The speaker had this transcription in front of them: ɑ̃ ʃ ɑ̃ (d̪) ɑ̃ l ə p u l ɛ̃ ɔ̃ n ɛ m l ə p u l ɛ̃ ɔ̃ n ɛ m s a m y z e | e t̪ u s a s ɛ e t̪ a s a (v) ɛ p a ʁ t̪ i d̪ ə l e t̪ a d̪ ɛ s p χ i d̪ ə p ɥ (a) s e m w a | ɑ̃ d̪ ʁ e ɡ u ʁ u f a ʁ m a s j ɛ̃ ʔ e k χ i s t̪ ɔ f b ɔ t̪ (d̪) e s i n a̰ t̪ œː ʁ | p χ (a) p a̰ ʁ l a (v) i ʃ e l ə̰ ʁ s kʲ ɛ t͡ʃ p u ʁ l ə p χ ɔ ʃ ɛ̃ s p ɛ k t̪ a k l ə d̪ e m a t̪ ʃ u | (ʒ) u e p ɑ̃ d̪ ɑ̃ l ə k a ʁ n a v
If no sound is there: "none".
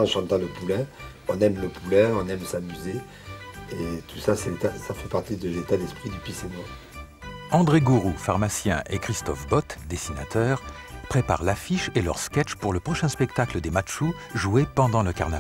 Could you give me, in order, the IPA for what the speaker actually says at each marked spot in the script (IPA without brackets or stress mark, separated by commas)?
t̪, f, i, d̪, e, f, ʒ